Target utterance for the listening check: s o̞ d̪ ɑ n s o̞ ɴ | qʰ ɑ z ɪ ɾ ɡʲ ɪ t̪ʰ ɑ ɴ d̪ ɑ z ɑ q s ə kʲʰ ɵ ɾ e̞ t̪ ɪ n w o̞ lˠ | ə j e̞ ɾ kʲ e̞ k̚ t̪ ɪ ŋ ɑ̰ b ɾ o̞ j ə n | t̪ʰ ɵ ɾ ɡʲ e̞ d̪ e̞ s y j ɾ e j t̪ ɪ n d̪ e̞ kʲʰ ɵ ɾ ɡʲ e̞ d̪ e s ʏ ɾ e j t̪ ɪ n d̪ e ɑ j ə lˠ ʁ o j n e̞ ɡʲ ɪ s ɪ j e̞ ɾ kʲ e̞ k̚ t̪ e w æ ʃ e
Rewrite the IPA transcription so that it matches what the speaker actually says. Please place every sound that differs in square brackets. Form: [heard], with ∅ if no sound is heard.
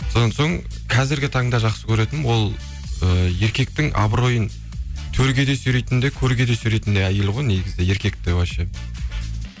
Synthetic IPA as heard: s o̞ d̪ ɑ n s o̞ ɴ | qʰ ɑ z ɪ ɾ ɡʲ ɪ t̪ʰ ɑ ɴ d̪ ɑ [ʒ] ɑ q s ə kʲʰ ɵ ɾ e̞ t̪ ɪ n w o̞ lˠ | ə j e̞ ɾ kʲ e̞ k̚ t̪ ɪ ŋ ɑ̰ b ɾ o̞ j ə n | t̪ʰ ɵ ɾ ɡʲ e̞ d̪ e̞ s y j ɾ e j t̪ ɪ n d̪ e̞ kʲʰ ɵ ɾ ɡʲ e̞ d̪ e s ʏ ɾ e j t̪ ɪ n d̪ e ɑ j ə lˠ ʁ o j n e̞ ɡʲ ɪ [z] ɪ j e̞ ɾ kʲ e̞ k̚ t̪ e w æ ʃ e